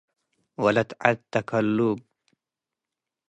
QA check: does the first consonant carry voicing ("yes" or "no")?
yes